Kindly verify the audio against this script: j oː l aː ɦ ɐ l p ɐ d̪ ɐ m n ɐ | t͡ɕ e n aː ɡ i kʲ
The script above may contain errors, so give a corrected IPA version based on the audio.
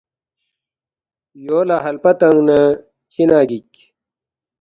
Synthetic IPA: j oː l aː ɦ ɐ l p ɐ t̪ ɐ ŋ n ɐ | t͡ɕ i n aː ɡ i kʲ

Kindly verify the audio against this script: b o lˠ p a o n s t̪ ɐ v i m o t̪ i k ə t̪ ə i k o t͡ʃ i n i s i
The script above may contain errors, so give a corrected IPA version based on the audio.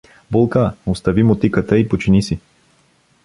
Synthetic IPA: b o lˠ k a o s t̪ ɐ v i m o t̪ i k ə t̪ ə i p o t͡ʃ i n i s i

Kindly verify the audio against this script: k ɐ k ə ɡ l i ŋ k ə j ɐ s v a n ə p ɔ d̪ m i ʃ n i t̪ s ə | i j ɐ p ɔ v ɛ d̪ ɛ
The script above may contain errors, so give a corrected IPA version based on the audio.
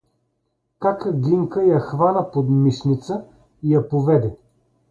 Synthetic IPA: k a k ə ɡ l i ŋ k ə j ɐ x v a n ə p o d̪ m i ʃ n i t̪ s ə | i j ɐ p o v ɛ d̪ ɛ

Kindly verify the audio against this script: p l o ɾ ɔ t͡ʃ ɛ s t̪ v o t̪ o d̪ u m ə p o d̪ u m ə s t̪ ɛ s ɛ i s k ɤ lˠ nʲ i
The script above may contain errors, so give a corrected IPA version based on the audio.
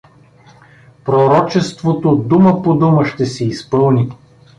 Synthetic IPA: p ɾ o ɾ ɔ t͡ʃ ɛ s t̪ v o t̪ o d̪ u m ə p o d̪ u m ə ʃ t̪ ɛ s ɛ i s p ɤ lˠ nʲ i

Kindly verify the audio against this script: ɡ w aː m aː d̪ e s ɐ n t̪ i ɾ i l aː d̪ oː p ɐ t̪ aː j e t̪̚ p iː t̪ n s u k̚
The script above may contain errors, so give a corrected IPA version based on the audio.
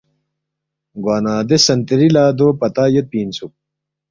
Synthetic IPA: ɡ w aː n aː d̪ e s ɐ n t̪ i ɾ i l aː d̪ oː p ɐ t̪ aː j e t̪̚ p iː n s u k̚

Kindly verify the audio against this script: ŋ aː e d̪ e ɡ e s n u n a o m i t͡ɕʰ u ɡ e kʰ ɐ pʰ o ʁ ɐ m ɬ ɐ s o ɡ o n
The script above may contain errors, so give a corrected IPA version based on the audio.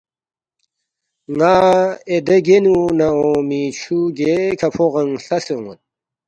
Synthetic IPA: ŋ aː e d̪ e ɡ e n u n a o m i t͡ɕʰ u ɡ e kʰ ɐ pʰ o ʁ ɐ ŋ ɬ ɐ s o ŋ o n

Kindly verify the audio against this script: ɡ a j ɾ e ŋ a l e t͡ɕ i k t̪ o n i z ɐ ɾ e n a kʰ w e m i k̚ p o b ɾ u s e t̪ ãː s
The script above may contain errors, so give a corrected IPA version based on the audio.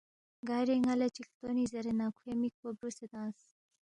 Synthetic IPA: ɡ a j ɾ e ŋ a l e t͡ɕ i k t̪ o n i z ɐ ɾ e n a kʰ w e m i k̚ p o b ɾ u s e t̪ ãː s

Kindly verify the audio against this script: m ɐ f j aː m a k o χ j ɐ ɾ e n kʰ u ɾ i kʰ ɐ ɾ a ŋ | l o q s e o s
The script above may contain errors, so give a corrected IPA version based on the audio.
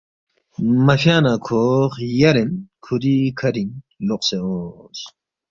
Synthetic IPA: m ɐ f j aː n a kʰ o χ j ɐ ɾ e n kʰ u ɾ i kʰ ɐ ɾ i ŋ | l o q s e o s

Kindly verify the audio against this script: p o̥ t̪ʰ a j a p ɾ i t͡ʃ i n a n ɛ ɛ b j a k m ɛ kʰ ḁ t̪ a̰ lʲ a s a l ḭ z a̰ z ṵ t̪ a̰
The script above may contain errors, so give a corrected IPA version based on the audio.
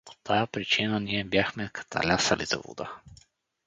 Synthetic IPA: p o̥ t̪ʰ a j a p ɾ i t͡ʃ i n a n i ɛ b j a x m ɛ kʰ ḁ t̪ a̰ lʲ a s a l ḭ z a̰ v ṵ d̪ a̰

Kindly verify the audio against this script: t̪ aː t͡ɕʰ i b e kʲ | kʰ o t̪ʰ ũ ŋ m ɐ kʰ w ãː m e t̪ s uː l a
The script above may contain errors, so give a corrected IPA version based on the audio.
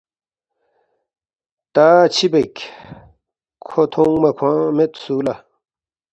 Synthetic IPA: t̪ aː t͡ɕʰ i b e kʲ | kʰ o t̪ʰ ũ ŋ m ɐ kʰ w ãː m e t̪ s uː l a

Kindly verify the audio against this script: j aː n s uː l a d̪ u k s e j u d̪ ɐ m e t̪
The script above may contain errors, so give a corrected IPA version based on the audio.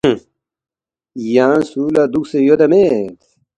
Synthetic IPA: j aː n s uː l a d̪ u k s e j o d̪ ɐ m e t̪

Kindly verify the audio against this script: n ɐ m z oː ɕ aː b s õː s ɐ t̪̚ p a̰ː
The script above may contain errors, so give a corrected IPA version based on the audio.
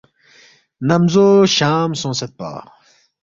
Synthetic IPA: n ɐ m z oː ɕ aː m s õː s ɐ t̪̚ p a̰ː

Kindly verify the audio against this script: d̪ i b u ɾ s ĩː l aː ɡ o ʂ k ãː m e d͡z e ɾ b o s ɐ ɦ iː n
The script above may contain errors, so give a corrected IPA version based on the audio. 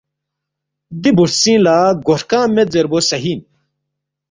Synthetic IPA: d̪ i b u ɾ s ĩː l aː ɡ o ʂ k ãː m e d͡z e ɾ b o s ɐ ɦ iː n

